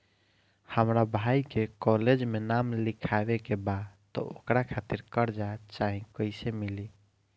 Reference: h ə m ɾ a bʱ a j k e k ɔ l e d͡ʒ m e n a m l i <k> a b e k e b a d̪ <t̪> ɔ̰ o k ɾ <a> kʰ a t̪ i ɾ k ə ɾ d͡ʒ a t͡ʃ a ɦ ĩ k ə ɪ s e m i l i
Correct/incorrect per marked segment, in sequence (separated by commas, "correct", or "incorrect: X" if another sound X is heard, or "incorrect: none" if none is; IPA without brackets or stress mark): incorrect: kʰ, correct, correct